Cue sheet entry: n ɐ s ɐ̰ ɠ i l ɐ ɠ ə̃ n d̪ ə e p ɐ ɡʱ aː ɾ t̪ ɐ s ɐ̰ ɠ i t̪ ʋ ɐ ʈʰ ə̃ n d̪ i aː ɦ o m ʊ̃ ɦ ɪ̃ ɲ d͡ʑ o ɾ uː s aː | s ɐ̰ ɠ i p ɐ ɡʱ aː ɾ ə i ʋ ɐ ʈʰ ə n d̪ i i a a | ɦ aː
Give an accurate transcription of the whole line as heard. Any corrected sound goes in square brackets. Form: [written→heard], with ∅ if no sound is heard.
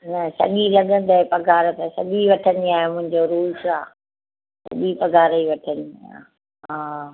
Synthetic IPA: n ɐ s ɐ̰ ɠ i l ɐ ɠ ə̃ n d̪ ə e p ɐ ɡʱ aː ɾ t̪ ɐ s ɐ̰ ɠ i [t̪→∅] ʋ ɐ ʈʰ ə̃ n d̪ i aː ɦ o m ʊ̃ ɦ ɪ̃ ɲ d͡ʑ o ɾ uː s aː | s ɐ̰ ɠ i p ɐ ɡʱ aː ɾ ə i ʋ ɐ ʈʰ ə n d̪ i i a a | ɦ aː